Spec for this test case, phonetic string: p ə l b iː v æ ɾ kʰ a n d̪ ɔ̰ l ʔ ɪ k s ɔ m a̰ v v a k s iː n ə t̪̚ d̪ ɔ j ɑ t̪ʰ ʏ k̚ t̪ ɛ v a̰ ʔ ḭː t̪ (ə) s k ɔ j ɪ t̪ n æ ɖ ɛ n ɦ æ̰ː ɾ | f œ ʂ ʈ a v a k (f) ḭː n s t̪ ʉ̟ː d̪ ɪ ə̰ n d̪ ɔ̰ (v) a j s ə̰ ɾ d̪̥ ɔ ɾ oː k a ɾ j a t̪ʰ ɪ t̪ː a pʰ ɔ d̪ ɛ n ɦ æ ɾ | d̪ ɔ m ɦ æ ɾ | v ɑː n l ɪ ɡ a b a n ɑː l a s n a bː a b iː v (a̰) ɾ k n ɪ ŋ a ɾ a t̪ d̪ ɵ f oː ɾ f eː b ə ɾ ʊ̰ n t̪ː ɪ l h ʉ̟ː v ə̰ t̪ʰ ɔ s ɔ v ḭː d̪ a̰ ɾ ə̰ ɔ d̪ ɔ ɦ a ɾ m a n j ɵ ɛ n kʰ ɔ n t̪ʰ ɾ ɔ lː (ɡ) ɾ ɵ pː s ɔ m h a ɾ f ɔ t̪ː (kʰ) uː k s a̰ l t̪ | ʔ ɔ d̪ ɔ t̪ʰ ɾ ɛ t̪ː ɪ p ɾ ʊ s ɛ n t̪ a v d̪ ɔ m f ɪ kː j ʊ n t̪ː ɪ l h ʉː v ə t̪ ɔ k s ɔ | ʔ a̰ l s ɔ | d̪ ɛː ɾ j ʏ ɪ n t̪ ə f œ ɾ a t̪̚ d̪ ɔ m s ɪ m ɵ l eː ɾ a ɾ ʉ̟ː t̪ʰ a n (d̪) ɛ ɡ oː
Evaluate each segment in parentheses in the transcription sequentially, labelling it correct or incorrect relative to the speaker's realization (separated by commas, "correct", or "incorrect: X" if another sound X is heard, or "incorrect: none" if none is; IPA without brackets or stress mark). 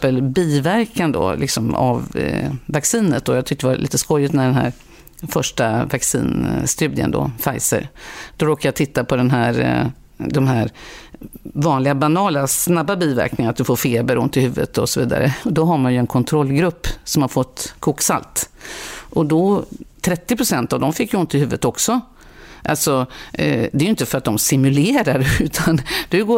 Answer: correct, incorrect: s, incorrect: f, incorrect: æ̰, correct, correct, correct